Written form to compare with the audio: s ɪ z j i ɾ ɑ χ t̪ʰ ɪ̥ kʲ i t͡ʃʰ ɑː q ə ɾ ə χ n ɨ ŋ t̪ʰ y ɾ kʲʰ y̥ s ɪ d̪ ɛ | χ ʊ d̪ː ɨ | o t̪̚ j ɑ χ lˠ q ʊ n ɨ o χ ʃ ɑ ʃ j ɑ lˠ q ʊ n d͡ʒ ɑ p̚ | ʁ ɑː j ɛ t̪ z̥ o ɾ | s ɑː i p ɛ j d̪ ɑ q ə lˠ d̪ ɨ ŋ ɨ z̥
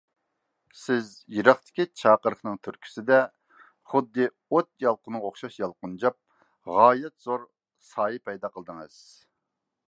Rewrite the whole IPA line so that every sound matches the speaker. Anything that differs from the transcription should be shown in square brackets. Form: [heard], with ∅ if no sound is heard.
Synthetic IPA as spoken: s ɪ z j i ɾ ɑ χ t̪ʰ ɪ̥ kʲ i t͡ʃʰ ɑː q ə ɾ ə χ n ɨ ŋ t̪ʰ y ɾ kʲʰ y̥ s ɪ d̪ ɛ | χ ʊ d̪ː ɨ | o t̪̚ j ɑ [∅] lˠ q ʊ n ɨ o χ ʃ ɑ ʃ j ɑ lˠ q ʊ n d͡ʒ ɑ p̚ | ʁ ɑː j ɛ t̪ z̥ o ɾ | s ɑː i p ɛ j d̪ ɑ q ə lˠ d̪ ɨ ŋ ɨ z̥